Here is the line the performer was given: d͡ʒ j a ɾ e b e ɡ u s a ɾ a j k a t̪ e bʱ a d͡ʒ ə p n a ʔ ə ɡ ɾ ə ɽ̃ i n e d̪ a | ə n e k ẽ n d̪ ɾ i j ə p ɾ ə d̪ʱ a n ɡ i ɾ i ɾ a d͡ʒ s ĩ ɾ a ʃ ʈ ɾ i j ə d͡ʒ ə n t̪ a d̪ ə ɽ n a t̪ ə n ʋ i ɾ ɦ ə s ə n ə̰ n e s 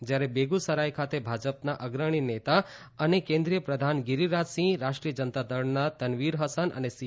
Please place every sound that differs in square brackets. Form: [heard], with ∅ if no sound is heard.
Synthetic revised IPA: d͡ʒ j a ɾ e b e ɡ u s [ə] ɾ a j [kʰ] a t̪ e bʱ a d͡ʒ ə p n a ʔ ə ɡ ɾ ə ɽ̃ i n e [t̪] a | ə n e k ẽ n d̪ ɾ i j ə p ɾ ə d̪ʱ a n ɡ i ɾ i ɾ a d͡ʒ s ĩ ɾ a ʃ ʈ ɾ i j ə d͡ʒ ə n t̪ a d̪ ə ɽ n a t̪ ə n ʋ i ɾ ɦ ə s ə n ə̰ n e s

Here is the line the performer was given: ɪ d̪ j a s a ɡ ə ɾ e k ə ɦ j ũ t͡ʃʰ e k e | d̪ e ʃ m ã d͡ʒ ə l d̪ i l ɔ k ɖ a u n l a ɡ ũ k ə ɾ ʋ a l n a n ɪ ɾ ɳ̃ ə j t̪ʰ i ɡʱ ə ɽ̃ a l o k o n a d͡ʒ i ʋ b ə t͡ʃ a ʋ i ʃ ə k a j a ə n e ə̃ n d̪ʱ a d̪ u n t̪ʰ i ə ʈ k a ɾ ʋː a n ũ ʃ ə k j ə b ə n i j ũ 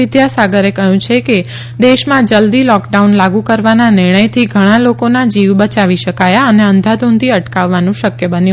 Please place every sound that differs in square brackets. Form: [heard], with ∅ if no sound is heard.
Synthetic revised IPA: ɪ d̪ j a s a ɡ ə ɾ e k ə ɦ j ũ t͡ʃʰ e k e | d̪ e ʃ m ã d͡ʒ ə l d̪ i l ɔ k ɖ a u n l a ɡ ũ k ə ɾ ʋ a [∅] n a n ɪ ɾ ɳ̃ ə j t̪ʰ i ɡʱ ə ɽ̃ a l o k o n a d͡ʒ i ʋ b ə t͡ʃ a ʋ i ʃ ə k a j a ə n e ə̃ n d̪ʱ a d̪ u n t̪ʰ i ə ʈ k a [∅] ʋː a n ũ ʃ ə k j ə b ə n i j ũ

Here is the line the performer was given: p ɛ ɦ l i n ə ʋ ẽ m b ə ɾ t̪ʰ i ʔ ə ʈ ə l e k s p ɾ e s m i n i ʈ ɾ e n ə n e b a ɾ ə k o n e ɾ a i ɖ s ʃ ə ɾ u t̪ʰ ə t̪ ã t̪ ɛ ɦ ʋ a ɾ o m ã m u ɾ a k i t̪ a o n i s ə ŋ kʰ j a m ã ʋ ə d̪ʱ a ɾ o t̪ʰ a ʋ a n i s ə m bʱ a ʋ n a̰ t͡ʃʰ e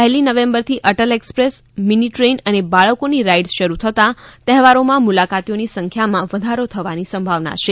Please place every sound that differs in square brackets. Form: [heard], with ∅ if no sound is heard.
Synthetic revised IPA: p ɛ ɦ l i n ə ʋ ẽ m b ə ɾ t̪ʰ i ʔ ə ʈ ə l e k s p ɾ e s m i n i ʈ ɾ e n ə n e b a [ɭ] ə k o n [i] ɾ a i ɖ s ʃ ə ɾ u t̪ʰ ə t̪ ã t̪ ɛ ɦ ʋ a ɾ o m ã m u [l] a k [a] t̪ [i] o n i s ə ŋ kʰ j a m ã ʋ ə d̪ʱ a ɾ o t̪ʰ [ə] ʋ a n i s ə m bʱ a ʋ n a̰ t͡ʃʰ e

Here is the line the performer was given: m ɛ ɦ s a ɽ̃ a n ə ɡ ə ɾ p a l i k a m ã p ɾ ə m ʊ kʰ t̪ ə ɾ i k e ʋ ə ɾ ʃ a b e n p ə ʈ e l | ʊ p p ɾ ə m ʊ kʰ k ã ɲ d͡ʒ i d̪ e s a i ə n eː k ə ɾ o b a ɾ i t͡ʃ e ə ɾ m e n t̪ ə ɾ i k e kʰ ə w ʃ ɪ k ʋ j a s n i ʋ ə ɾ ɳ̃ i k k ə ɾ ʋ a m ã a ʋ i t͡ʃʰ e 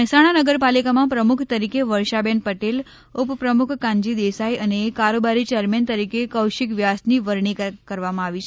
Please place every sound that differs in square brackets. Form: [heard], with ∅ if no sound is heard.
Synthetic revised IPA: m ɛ ɦ s a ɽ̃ a n ə ɡ ə ɾ p a l i k a m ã p ɾ ə m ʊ kʰ t̪ ə ɾ i k e ʋ ə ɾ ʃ a b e n p ə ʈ e l | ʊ p p ɾ ə m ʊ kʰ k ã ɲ d͡ʒ i d̪ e s a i ə n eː k [a] ɾ o b a ɾ i t͡ʃ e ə ɾ m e n t̪ ə ɾ i k e [k] ə w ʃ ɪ k ʋ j a s n i ʋ ə ɾ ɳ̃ i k k ə ɾ ʋ a m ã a ʋ i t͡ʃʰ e

